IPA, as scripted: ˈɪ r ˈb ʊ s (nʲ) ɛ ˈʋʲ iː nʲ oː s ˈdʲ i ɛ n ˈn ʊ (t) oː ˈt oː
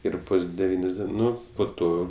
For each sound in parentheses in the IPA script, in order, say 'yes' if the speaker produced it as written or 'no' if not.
no, no

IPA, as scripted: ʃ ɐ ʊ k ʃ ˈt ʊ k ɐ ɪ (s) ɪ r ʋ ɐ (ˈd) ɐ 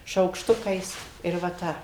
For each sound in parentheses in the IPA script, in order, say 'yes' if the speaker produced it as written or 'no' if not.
yes, no

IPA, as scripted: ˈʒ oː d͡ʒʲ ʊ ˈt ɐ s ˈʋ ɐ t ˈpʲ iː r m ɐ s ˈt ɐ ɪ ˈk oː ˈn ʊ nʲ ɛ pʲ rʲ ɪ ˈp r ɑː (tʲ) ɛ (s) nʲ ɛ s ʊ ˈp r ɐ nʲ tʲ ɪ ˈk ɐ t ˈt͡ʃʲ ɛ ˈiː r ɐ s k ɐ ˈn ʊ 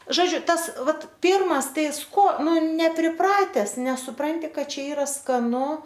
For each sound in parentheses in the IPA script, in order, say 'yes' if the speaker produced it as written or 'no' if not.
yes, yes

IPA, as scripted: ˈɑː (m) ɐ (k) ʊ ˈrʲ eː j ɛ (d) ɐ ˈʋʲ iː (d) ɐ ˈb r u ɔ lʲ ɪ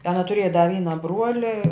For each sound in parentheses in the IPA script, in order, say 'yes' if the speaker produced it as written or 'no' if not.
no, no, yes, no

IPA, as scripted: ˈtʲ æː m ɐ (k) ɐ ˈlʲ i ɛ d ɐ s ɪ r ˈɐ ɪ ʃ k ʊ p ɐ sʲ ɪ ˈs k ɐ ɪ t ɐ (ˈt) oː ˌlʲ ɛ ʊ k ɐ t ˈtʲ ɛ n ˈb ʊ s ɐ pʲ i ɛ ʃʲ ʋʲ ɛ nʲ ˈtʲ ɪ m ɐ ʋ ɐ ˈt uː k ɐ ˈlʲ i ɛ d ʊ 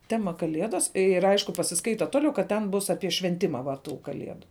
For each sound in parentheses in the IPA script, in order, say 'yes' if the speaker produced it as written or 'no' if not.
yes, yes

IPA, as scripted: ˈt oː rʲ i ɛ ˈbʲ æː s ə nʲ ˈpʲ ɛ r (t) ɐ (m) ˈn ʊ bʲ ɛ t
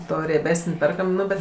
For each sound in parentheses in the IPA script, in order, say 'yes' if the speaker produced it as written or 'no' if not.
no, yes

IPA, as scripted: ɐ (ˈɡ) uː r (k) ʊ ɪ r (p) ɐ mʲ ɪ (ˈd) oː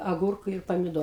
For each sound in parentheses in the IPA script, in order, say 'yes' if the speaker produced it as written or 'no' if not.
yes, yes, yes, yes

